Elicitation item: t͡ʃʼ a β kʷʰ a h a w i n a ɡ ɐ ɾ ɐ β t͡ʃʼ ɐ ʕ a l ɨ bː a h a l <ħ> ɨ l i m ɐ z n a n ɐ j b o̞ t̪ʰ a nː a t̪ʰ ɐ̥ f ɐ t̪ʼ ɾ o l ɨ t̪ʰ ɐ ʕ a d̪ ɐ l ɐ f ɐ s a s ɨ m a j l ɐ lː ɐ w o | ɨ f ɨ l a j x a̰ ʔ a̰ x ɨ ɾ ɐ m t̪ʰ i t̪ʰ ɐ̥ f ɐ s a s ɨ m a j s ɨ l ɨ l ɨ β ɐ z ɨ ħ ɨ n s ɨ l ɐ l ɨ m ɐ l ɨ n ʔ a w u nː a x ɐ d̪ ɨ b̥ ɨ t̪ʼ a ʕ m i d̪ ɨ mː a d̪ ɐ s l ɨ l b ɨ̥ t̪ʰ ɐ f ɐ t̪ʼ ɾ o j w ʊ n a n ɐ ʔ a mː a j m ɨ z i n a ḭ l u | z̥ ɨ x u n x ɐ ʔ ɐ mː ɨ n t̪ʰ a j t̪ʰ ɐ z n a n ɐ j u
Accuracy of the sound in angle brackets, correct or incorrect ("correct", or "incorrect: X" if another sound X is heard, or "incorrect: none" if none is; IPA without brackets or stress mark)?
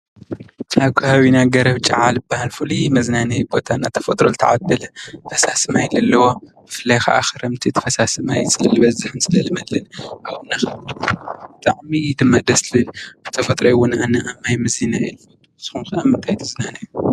incorrect: f